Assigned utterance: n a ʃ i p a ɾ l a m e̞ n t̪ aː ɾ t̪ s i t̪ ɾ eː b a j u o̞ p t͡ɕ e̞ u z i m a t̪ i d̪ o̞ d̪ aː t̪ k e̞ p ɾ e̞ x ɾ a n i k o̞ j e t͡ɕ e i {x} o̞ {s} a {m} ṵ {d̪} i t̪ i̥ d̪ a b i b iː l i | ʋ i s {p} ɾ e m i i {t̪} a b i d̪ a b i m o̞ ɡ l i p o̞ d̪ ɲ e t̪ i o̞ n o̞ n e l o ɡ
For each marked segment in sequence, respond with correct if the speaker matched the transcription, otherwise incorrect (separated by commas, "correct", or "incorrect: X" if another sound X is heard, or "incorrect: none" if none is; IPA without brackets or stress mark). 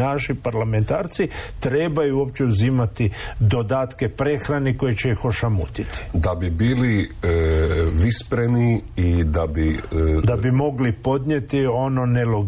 correct, incorrect: ʃ, correct, incorrect: t̪, correct, incorrect: d̪